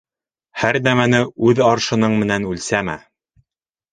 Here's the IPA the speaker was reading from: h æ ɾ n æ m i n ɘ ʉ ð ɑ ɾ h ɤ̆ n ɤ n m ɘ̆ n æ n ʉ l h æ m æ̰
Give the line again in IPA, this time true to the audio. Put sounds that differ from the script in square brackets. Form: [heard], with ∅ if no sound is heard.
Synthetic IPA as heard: h æ ɾ n æ m [æ] n ɘ ʉ ð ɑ ɾ [ʃ] ɤ̆ n ɤ [ɴ] m ɘ̆ n æ n ʉ l [s] æ m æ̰